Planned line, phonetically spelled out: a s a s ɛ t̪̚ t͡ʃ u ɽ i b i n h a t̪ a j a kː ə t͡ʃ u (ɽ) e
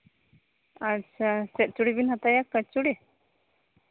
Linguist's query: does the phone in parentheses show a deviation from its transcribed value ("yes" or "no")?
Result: no